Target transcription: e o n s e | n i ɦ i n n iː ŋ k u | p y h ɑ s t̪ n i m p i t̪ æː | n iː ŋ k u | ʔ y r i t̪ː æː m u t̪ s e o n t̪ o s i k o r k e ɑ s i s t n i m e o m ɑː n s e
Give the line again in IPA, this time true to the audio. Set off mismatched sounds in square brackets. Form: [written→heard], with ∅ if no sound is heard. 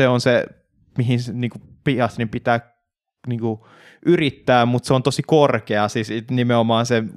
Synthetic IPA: e o n s e | [n→m] i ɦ i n n iː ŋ k u | p [y→i] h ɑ s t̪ n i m p i t̪ æː | n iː ŋ k u | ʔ y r i t̪ː æː m u t̪ s e o n t̪ o s i k o r k e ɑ s i s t n i m e o m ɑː n s e